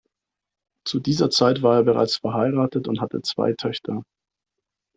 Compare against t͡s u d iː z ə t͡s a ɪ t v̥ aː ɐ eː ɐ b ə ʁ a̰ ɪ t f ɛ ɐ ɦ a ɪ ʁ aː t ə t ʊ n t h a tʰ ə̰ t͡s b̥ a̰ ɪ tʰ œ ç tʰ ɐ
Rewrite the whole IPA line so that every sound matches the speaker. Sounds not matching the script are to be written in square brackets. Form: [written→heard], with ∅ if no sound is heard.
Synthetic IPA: t͡s u d iː z [ə→ɐ] t͡s a ɪ t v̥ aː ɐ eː ɐ b ə ʁ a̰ ɪ [t→t͡s] f ɛ ɐ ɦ a ɪ ʁ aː t ə t ʊ n t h a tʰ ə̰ t͡s [b̥→v̥] a̰ ɪ tʰ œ ç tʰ ɐ